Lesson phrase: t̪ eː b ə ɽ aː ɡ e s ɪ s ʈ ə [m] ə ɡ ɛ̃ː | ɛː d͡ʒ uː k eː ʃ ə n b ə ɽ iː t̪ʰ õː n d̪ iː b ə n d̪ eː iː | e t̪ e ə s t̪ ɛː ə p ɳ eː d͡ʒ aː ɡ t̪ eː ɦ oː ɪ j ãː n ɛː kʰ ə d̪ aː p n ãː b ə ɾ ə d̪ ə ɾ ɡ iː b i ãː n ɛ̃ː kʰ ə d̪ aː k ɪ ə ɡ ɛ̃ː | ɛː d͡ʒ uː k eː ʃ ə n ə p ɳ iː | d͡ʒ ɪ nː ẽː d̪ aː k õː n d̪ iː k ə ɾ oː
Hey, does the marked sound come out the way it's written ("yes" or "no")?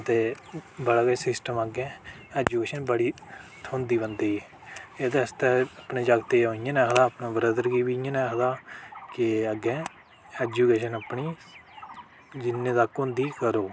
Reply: yes